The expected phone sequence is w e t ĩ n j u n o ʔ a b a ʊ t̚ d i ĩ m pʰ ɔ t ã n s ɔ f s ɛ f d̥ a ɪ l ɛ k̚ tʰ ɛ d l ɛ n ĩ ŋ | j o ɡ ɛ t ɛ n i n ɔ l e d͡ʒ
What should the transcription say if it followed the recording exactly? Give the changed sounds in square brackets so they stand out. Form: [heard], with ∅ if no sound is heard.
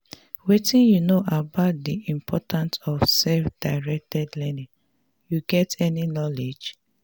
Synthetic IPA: w e t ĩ n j u n o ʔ a b a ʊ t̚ d i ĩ m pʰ ɔ t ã n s ɔ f s ɛ f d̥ a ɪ [ɹ] ɛ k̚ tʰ ɛ d l ɛ n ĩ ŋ | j [u] ɡ ɛ t ɛ n i n ɔ l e d͡ʒ